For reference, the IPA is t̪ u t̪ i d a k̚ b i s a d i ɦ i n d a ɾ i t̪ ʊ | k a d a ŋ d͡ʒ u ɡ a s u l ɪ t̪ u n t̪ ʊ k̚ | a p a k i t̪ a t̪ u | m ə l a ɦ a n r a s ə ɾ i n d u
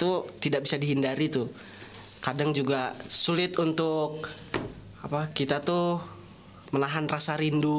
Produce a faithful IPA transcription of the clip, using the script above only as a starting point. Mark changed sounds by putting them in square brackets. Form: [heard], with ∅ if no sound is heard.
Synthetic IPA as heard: t̪ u t̪ i d a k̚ b i s a d i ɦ i n d a ɾ i t̪ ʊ | k a d a ŋ d͡ʒ u ɡ a s u l ɪ t̪ u n t̪ ʊ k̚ | a p a k i t̪ a t̪ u | m ə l a ɦ a n r a s [a] ɾ i n d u